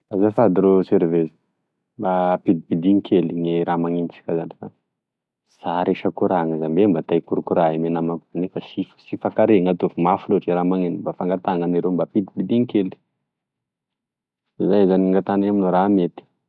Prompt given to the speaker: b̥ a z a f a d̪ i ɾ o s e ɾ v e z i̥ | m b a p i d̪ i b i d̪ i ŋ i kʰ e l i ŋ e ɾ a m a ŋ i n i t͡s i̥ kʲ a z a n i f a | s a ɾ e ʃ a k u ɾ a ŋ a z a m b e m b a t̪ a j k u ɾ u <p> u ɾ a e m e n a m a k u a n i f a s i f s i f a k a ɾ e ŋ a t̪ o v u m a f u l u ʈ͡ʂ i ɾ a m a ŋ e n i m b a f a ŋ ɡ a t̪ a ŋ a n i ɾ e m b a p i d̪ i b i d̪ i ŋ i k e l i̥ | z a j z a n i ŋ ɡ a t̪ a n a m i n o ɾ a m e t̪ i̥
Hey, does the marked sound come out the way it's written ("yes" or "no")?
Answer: no